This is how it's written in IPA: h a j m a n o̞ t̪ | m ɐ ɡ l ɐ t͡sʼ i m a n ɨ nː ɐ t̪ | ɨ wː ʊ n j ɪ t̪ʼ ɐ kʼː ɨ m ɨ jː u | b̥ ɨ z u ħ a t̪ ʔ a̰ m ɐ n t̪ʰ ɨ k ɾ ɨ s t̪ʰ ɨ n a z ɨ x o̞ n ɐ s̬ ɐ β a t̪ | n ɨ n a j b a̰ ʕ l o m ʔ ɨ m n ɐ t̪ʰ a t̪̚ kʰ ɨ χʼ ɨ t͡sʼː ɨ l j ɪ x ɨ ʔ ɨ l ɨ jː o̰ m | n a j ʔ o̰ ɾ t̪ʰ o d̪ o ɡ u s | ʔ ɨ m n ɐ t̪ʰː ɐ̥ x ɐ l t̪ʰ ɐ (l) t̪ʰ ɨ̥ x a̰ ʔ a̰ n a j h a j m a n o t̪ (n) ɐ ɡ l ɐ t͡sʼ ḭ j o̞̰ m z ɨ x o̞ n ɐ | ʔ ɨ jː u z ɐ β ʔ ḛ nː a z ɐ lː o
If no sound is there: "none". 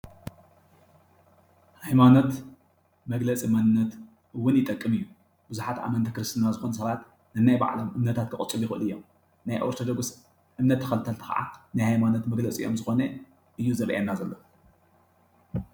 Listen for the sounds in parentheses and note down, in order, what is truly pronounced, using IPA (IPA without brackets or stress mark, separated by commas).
l, m